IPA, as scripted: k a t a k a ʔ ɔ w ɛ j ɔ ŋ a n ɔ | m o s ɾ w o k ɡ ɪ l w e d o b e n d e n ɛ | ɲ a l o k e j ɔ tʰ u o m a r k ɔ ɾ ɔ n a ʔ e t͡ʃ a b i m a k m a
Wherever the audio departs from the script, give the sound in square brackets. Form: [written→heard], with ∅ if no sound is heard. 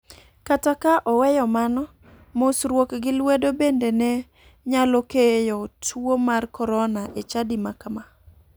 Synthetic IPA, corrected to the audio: k a t a k a ʔ ɔ w ɛ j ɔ [ŋ→m] a n ɔ | m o s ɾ w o k ɡ ɪ l w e d o b e n d e n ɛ | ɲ a l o k e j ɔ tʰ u o m a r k ɔ ɾ ɔ n a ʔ e t͡ʃ a [b→d] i m a k m a